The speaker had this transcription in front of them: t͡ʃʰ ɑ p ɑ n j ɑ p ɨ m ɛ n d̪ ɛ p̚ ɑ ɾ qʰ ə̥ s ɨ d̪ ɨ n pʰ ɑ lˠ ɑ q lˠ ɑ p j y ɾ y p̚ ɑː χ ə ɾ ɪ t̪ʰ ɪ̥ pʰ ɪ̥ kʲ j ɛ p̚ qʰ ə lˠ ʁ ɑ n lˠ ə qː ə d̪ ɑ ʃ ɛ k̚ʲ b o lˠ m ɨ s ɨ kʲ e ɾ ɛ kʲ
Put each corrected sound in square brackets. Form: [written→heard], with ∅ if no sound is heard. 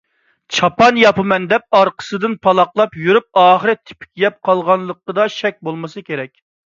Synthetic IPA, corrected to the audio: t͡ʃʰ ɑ p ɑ n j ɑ p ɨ m ɛ n d̪ ɛ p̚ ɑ ɾ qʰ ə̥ s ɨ d̪ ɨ n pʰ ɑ lˠ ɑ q lˠ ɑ p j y ɾ y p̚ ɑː χ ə ɾ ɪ t̪ʰ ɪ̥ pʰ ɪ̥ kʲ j ɛ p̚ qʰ [ə→ɑ] lˠ ʁ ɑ n lˠ ə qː ə d̪ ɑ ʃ ɛ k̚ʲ b o lˠ m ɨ s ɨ kʲ e ɾ ɛ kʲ